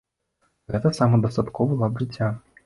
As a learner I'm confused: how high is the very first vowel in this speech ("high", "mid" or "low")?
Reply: mid